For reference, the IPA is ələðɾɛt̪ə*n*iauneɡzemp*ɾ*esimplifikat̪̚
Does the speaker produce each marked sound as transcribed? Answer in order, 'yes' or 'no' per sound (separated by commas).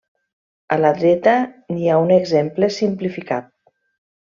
yes, no